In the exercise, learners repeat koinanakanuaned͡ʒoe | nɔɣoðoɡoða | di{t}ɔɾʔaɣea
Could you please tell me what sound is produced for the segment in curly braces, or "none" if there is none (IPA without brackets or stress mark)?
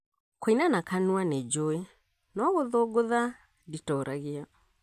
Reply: t